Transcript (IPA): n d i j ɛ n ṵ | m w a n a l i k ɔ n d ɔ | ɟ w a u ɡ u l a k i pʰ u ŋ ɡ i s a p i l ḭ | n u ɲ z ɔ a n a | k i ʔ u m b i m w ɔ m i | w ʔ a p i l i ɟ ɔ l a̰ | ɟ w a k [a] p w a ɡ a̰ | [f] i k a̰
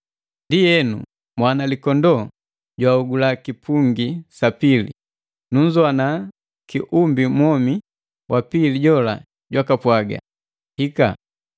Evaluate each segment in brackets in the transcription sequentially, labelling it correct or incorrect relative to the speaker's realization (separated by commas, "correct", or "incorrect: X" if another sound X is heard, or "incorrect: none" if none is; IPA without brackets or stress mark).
correct, incorrect: h